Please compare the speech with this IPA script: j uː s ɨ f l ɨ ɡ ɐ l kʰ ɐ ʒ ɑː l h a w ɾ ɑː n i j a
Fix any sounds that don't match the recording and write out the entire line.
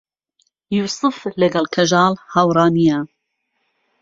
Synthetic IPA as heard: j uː s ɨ f l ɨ ɡ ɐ l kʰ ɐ ʒ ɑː l h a w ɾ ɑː n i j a